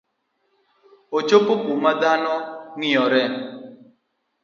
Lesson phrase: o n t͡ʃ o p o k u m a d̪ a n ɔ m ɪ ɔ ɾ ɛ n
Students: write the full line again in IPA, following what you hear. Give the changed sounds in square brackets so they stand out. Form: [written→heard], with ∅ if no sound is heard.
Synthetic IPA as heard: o [n→∅] t͡ʃ o p o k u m a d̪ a n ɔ [m→ŋ] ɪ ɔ ɾ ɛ n